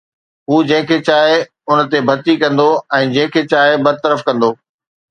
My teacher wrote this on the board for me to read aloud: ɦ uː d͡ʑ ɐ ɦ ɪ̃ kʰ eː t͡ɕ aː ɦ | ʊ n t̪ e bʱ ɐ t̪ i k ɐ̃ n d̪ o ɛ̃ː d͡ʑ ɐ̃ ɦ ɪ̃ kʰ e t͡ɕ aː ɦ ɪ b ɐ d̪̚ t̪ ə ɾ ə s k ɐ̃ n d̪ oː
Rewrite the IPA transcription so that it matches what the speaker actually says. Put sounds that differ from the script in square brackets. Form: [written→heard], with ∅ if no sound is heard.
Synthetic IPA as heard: ɦ uː d͡ʑ [ɐ→ɐ̃] ɦ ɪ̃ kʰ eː t͡ɕ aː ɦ | ʊ n t̪ e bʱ ɐ t̪ i k ɐ̃ n d̪ o ɛ̃ː d͡ʑ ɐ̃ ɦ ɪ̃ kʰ e t͡ɕ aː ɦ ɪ b ɐ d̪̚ t̪ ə ɾ ə [s→f] k ɐ̃ n d̪ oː